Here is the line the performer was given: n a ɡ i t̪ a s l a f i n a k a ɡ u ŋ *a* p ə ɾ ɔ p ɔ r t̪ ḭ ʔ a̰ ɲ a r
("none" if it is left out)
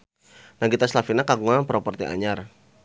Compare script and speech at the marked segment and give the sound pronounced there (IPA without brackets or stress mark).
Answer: a